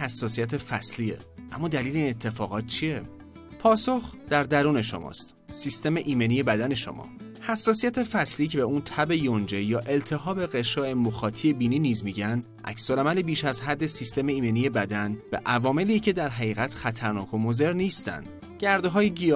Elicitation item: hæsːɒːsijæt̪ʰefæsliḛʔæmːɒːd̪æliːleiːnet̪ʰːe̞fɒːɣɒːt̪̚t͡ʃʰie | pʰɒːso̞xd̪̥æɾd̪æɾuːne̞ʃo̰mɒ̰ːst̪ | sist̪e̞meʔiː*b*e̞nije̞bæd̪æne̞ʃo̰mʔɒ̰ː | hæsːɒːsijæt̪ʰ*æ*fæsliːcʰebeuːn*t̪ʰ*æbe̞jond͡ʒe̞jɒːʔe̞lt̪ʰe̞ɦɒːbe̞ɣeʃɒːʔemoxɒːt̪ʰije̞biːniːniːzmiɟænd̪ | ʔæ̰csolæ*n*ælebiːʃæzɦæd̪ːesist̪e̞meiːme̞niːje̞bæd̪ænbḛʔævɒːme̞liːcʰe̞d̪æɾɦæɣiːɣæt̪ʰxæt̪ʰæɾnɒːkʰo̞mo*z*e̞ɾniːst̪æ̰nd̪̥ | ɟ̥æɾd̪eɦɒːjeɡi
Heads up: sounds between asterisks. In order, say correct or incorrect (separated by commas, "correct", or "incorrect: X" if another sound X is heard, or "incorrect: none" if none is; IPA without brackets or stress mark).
incorrect: m, incorrect: e, correct, incorrect: m, correct